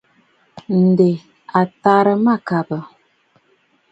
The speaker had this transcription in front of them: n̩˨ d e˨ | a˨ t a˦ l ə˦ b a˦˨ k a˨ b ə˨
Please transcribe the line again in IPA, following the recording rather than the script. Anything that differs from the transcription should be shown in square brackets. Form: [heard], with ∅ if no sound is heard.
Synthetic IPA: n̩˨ d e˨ | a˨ t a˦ [ɾ] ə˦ [m] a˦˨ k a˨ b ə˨